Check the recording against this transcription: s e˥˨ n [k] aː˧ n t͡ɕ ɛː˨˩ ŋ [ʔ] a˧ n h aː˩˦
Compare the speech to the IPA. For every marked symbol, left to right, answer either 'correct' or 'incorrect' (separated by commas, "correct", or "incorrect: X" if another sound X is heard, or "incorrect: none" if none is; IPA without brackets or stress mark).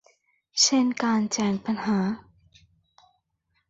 correct, incorrect: p